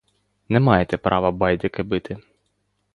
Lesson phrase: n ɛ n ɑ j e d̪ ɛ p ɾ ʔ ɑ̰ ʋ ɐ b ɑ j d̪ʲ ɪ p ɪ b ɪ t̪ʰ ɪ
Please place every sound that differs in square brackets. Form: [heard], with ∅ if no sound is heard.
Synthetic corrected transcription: n ɛ [m] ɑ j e [t̪] ɛ p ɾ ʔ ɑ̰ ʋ ɐ b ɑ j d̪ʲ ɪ [k] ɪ b ɪ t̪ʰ ɪ